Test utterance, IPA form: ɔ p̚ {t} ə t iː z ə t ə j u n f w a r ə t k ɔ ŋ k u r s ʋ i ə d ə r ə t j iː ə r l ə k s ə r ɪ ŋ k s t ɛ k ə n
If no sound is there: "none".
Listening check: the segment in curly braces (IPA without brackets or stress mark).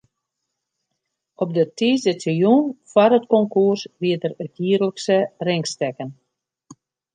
d